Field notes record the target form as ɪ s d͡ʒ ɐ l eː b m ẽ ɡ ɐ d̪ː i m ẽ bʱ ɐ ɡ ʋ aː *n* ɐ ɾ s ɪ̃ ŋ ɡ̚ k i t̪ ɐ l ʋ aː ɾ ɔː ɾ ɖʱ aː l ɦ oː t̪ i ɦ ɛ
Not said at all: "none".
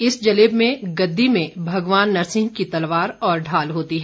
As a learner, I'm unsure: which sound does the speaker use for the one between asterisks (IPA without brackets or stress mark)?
nː